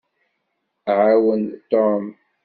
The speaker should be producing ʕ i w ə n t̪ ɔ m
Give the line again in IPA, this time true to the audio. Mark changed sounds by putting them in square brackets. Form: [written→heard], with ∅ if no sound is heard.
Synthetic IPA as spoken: ʕ [i→a] w ə n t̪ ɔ m